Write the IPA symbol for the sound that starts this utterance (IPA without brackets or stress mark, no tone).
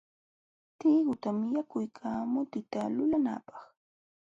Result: t̪